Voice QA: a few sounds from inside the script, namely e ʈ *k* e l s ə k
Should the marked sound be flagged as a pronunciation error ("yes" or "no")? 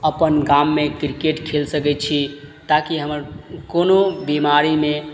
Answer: yes